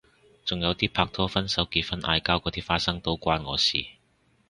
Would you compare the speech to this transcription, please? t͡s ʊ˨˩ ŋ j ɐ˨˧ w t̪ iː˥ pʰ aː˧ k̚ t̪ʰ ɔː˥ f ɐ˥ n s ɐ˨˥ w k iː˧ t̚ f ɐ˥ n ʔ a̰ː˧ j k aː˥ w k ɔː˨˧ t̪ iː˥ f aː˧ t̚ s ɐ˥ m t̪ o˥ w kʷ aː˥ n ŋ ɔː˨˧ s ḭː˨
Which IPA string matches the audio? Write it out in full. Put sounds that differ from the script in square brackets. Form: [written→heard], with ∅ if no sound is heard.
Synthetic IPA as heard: t͡s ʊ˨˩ ŋ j ɐ˨˧ w t̪ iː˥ pʰ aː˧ k̚ t̪ʰ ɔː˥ f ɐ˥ n s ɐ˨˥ w k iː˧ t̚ f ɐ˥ n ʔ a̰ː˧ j k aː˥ w k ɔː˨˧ t̪ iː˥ f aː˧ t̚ s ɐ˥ [m→ŋ] t̪ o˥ w kʷ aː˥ n ŋ ɔː˨˧ s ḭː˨